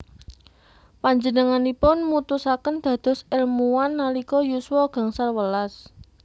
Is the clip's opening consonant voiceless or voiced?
voiceless